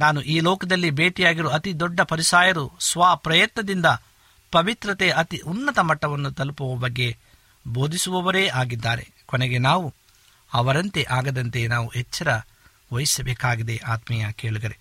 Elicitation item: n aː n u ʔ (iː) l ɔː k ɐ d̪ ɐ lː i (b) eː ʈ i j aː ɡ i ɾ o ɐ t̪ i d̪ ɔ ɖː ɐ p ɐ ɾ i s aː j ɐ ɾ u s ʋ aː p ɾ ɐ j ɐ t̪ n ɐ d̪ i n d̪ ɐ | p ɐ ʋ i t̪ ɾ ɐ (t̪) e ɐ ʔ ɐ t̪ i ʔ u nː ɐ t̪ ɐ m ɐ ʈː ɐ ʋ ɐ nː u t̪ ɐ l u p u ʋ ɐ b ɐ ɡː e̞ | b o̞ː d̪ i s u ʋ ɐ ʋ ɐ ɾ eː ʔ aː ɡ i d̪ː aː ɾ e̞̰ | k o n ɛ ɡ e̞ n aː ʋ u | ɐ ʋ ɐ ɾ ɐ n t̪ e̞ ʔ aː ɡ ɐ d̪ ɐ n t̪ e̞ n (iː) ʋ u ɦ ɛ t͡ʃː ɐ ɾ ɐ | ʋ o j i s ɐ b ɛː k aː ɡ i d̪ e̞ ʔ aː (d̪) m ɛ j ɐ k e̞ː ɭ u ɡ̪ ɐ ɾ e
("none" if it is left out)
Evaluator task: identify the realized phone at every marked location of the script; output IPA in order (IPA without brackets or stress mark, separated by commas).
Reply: iː, b, t̪, aː, t̪